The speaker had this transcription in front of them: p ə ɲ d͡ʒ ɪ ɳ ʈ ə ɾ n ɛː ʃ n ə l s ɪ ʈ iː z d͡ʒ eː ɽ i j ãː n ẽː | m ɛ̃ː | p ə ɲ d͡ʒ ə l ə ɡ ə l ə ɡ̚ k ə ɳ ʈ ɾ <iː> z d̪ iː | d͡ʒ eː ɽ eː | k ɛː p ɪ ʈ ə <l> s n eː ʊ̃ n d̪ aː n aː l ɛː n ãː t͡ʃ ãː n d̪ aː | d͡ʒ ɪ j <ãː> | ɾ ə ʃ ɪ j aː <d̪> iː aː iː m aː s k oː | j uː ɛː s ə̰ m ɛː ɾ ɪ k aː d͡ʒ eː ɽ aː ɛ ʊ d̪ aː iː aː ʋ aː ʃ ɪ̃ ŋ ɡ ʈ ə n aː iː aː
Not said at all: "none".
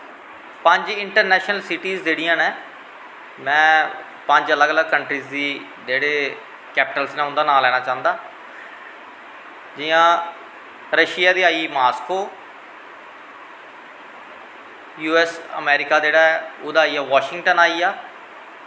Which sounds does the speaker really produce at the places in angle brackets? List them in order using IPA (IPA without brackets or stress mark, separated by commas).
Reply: iː, l, ãː, d̪